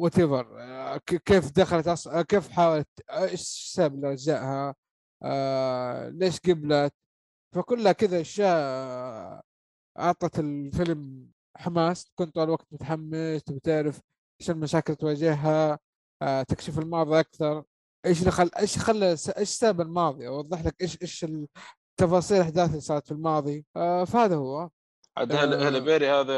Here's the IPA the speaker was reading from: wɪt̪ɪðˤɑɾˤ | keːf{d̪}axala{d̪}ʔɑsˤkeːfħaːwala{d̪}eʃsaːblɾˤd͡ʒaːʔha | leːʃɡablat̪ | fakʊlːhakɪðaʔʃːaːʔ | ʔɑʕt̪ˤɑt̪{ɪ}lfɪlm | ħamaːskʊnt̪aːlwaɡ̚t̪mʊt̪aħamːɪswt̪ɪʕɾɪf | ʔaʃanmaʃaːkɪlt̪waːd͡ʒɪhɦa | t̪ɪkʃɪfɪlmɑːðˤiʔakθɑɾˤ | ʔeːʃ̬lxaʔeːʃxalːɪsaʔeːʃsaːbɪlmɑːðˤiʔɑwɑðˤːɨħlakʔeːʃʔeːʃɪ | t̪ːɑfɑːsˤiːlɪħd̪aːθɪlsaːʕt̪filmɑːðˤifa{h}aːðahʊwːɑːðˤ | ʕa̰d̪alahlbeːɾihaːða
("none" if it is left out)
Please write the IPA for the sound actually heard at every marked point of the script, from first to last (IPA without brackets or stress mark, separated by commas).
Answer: d̪, t̪, t̪, ɪ, h